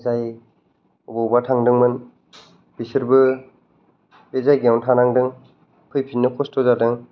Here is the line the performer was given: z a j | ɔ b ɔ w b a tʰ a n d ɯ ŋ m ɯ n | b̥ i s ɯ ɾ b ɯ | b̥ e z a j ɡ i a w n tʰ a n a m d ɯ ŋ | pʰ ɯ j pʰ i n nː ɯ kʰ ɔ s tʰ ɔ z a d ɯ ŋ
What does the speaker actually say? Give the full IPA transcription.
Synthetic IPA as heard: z a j | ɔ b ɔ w b a tʰ a ŋ d ɯ ŋ m ɯ n | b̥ i s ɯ ɾ b ɯ | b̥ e z a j ɡ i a w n tʰ a n a ŋ d ɯ ŋ | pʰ ɯ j pʰ i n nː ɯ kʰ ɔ s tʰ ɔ z a d ɯ ŋ